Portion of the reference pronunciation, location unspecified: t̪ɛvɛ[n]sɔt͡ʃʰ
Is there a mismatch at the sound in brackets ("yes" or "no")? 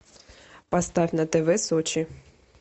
yes